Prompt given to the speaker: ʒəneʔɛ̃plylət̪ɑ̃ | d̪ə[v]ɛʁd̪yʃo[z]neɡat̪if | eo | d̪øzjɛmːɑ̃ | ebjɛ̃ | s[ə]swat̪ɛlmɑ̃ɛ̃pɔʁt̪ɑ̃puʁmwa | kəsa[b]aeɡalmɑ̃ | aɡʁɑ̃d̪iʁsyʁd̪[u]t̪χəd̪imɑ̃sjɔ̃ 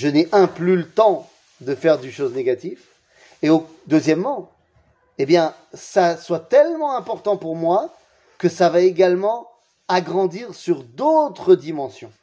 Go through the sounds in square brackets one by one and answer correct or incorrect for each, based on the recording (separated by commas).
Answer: incorrect, correct, incorrect, incorrect, incorrect